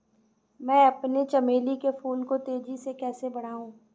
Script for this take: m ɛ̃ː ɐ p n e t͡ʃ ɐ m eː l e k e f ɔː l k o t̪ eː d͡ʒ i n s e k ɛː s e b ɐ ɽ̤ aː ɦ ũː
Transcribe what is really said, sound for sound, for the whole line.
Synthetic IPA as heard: m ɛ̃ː ɐ p n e t͡ʃ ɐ m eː l i k e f uː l k o t̪ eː d͡ʒ i s e k ɛː s e b ɐ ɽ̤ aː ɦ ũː